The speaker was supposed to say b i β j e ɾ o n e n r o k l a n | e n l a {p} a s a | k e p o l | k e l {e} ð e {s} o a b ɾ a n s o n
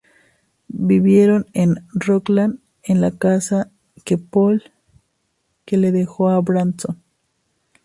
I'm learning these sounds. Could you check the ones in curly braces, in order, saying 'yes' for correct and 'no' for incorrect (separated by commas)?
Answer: no, yes, no